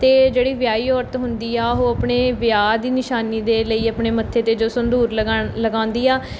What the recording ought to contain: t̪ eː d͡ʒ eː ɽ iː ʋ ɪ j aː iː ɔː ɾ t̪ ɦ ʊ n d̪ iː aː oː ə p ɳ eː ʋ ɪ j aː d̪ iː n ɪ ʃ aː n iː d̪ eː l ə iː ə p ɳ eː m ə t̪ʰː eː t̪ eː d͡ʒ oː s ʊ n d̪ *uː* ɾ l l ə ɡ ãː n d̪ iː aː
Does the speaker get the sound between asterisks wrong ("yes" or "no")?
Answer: no